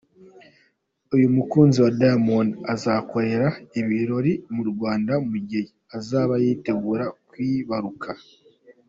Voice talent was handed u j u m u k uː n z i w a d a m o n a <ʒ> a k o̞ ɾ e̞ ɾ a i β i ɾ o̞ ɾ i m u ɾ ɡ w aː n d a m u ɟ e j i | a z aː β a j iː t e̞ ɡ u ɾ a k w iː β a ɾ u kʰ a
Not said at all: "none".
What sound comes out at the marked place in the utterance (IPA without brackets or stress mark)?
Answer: z